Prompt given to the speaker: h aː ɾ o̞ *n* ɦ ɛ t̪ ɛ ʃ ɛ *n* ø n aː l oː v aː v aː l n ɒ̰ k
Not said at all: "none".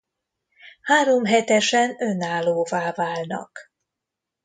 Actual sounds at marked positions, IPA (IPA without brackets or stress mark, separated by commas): m, n